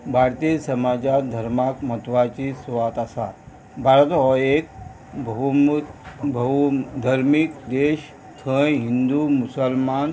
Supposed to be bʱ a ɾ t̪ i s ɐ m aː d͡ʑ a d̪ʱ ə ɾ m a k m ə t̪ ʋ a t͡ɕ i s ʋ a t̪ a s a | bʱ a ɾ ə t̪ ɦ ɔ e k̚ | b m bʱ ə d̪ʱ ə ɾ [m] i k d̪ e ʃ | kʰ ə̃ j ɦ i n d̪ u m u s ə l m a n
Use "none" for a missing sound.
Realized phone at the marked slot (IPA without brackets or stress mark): m